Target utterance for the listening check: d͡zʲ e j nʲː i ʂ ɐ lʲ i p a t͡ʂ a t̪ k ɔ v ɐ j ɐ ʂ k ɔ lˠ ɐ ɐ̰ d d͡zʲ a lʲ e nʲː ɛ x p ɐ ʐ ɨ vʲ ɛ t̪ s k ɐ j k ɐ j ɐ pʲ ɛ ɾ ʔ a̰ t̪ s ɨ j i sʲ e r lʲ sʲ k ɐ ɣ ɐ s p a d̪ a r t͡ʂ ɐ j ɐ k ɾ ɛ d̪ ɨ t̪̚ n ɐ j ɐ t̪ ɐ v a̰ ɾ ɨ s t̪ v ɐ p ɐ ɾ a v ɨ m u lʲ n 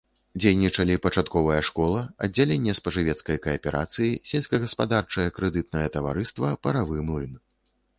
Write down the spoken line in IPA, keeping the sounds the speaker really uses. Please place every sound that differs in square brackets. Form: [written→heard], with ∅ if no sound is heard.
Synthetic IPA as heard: d͡zʲ e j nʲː i [ʂ→t͡ʂ] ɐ lʲ i p [a→ɐ] t͡ʂ a t̪ k ɔ v ɐ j ɐ ʂ k ɔ lˠ ɐ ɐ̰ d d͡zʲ a lʲ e nʲː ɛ [x→s] p ɐ ʐ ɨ vʲ ɛ t̪ s k ɐ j k ɐ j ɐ pʲ ɛ ɾ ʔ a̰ t̪ s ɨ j i sʲ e [r→∅] lʲ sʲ k ɐ ɣ ɐ s p a d̪ a r t͡ʂ ɐ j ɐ k ɾ ɛ d̪ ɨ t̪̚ n ɐ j ɐ t̪ ɐ v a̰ ɾ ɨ s t̪ v ɐ p ɐ ɾ a v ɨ m u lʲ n